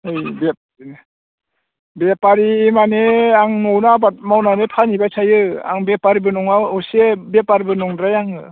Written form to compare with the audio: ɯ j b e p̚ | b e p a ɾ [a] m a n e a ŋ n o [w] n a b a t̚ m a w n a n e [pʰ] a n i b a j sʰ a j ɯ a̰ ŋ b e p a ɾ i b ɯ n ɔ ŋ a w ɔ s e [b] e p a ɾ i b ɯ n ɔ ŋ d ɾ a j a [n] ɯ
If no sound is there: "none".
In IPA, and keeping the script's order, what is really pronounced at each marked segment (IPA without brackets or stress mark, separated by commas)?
i, w, pʰ, b, ŋ